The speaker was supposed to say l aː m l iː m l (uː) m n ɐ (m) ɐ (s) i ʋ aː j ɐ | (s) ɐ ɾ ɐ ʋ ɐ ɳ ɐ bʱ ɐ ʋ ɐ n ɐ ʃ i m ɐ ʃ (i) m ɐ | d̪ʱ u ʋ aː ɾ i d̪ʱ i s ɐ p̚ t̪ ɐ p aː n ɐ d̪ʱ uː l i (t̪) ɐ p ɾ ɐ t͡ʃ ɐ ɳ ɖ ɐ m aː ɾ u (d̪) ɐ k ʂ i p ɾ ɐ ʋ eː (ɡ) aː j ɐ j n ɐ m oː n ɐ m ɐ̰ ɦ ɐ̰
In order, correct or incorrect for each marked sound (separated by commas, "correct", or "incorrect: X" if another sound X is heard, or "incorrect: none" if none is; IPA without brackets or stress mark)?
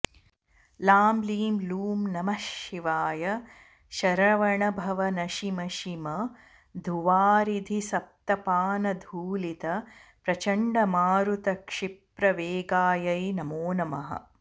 correct, correct, incorrect: ʃ, incorrect: ʃ, correct, correct, incorrect: t̪, correct